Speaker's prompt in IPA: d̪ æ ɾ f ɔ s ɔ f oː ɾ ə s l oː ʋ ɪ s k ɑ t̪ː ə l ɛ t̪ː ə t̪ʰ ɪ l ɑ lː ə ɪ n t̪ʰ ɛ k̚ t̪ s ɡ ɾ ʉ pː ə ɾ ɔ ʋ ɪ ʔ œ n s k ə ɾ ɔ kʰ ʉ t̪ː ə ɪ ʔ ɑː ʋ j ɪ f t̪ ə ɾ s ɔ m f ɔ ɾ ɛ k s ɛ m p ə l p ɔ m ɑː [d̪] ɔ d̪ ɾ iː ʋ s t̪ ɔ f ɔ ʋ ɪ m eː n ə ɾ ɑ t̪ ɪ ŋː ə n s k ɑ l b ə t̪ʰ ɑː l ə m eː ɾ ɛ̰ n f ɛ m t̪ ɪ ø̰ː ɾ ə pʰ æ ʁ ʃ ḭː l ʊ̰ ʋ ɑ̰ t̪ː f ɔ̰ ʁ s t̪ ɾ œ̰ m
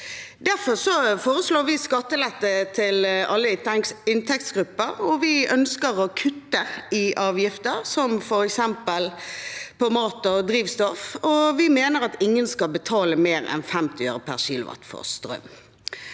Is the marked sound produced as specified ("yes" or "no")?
no